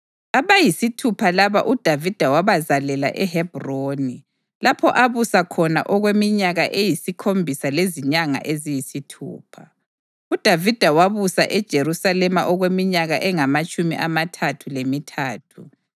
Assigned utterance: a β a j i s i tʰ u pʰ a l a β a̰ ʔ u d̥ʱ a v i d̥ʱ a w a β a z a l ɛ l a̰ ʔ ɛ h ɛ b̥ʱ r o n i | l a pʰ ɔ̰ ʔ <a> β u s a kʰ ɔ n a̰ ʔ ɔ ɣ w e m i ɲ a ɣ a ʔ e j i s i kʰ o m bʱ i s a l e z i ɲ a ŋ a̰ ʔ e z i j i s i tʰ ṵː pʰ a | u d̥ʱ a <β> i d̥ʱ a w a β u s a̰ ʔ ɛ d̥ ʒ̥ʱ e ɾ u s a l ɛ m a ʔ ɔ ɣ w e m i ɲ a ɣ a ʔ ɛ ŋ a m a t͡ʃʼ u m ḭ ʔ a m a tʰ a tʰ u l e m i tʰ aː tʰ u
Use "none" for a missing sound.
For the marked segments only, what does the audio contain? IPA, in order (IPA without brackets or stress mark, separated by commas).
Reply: a, v